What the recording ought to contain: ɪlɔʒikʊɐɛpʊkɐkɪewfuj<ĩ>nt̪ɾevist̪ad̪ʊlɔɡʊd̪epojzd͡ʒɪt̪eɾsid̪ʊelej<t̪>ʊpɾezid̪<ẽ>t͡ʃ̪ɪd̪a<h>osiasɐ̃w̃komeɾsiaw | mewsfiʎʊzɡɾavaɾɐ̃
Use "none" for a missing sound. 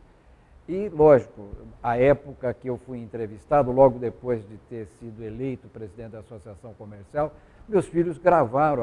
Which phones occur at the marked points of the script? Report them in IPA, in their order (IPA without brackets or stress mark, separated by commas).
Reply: ẽ, t̪, ẽ, s